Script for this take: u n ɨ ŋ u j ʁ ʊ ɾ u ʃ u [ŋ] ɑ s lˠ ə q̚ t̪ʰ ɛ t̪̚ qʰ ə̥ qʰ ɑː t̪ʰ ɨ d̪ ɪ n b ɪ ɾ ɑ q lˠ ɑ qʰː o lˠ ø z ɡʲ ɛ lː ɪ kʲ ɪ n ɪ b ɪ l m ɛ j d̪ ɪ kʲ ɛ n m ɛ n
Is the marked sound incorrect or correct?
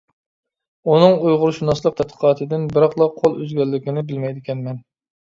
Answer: incorrect